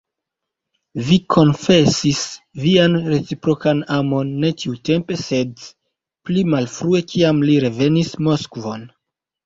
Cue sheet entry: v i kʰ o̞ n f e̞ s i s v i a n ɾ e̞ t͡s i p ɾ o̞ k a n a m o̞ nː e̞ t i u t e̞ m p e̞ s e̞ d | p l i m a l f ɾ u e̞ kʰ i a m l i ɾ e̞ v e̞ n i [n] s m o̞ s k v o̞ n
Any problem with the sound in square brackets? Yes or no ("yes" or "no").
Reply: yes